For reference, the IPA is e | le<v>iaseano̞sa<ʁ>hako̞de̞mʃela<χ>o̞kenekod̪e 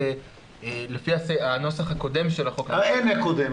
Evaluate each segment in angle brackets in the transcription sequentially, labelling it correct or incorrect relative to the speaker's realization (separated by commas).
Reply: incorrect, incorrect, correct